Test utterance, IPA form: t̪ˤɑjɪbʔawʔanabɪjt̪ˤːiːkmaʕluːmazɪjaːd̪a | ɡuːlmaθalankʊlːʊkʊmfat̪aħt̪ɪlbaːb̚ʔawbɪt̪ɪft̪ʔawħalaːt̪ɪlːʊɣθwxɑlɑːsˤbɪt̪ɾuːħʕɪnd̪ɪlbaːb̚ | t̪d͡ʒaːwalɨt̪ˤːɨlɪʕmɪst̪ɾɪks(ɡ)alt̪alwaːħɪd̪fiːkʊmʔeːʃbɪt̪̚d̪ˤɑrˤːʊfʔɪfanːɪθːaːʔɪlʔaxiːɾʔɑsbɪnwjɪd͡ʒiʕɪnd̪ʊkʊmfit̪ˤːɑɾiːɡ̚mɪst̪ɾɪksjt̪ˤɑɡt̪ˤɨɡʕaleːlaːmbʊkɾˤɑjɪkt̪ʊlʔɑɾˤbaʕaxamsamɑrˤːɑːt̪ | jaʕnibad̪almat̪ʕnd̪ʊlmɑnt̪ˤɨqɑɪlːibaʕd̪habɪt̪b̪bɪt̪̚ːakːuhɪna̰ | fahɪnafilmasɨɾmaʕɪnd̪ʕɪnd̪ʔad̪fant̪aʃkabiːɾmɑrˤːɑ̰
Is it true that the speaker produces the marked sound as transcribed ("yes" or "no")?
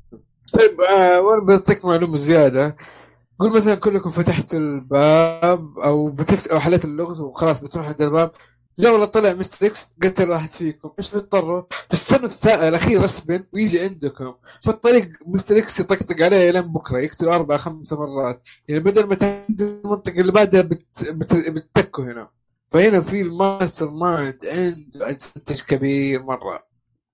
yes